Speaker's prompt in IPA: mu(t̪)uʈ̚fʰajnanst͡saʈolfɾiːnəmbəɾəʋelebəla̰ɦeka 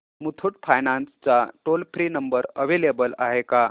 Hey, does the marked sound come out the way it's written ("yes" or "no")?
no